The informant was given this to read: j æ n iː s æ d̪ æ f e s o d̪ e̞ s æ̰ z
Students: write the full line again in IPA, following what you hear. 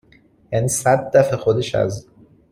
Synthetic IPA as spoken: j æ n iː s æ d̪ː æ f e x o d̪ e̞ ʃ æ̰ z